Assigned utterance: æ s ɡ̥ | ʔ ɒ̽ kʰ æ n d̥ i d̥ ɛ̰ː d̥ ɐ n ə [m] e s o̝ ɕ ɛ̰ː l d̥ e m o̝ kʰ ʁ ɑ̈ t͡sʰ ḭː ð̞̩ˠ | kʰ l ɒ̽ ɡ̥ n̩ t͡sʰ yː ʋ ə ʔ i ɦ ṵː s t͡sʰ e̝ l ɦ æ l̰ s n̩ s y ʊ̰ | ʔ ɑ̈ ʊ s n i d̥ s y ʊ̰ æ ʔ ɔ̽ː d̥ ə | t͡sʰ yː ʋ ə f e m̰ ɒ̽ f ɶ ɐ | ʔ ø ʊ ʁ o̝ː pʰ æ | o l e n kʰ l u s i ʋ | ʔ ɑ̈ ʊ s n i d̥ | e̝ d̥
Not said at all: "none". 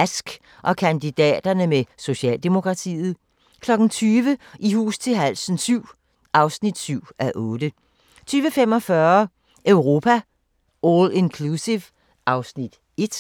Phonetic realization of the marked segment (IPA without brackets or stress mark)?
m